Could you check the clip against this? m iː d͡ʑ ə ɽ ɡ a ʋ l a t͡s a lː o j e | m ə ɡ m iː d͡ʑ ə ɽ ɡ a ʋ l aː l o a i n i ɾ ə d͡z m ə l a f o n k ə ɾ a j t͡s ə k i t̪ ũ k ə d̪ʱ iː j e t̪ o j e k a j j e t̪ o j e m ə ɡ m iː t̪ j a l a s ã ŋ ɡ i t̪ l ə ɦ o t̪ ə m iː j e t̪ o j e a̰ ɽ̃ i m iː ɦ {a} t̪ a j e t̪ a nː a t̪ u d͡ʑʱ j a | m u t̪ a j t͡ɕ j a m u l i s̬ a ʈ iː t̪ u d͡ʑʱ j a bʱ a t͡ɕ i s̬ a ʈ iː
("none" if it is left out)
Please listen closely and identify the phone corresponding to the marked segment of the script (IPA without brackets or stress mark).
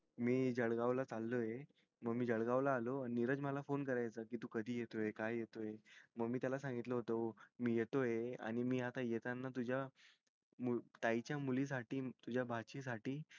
a